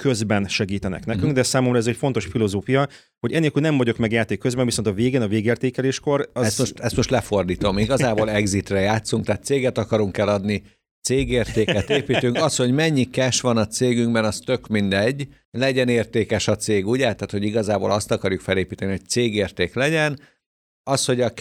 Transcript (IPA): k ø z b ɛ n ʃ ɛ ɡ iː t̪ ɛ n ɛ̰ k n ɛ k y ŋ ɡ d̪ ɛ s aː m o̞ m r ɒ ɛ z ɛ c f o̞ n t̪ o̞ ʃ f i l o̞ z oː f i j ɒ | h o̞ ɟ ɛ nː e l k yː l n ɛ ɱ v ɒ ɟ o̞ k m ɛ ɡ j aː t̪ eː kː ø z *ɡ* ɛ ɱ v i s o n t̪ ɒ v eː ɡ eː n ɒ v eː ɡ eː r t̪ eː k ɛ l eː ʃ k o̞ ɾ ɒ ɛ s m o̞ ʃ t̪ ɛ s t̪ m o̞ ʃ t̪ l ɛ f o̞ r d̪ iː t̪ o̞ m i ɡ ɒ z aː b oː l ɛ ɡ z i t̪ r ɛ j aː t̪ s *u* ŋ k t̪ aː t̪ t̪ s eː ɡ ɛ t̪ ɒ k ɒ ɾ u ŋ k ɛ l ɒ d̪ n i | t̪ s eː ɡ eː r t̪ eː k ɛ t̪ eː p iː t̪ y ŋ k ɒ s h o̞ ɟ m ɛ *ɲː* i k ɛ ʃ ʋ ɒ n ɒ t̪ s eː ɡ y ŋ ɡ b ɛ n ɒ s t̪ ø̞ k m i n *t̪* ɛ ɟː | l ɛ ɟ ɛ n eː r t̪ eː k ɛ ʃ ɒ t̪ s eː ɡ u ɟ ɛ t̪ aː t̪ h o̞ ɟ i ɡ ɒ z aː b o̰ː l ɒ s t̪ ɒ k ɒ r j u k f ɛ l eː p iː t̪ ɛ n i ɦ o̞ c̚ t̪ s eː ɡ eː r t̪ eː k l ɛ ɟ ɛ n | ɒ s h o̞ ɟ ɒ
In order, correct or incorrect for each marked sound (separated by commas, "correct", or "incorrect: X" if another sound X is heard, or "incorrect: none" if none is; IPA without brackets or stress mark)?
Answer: incorrect: b, correct, correct, incorrect: d̪